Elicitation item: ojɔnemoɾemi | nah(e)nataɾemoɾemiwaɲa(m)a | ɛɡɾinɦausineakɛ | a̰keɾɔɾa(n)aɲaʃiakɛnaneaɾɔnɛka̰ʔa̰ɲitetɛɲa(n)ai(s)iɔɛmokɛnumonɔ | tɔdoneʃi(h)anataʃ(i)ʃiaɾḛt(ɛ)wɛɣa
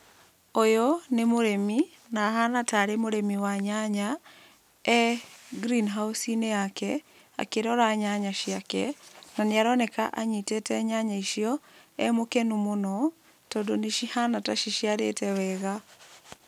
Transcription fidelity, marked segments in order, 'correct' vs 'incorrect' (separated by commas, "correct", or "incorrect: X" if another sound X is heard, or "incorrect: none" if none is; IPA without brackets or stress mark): incorrect: a, incorrect: ɲ, incorrect: ɲ, incorrect: ɲ, incorrect: ʃ, correct, correct, correct